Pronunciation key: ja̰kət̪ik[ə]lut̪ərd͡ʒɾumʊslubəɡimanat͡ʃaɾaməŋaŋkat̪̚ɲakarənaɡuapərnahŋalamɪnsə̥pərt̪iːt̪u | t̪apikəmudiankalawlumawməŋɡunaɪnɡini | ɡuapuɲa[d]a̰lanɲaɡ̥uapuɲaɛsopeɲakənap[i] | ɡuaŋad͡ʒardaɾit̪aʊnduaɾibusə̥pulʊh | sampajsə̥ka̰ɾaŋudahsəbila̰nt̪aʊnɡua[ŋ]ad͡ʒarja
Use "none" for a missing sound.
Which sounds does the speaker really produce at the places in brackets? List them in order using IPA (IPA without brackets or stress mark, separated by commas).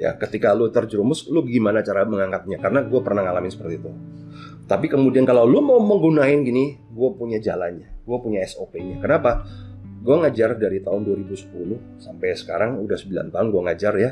a, d͡ʒ, a, ŋ